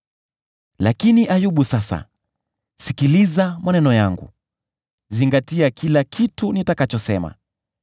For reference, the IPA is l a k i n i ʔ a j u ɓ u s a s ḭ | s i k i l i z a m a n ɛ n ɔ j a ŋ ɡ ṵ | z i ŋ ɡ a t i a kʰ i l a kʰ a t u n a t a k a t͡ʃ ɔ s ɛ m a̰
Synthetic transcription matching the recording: l a k i n i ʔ a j u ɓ u s a s a̰ | s i k i l i z a m a n ɛ n ɔ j a ŋ ɡ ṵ | z i ŋ ɡ a t i a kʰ i l a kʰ i t u n i t a k a t͡ʃ ɔ s ɛ m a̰